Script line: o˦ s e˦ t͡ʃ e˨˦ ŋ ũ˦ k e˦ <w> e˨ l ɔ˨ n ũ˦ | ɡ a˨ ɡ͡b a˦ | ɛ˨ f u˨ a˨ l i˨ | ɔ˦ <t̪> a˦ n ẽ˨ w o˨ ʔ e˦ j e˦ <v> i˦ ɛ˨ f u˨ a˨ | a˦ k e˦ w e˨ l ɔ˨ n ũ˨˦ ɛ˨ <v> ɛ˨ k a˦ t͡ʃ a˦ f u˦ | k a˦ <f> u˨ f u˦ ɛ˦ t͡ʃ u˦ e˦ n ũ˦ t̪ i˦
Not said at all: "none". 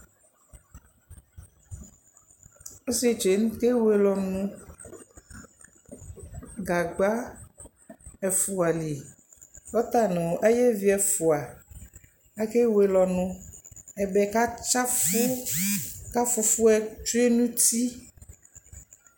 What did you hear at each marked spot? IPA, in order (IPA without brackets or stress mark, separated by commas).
w, t̪, v, b, f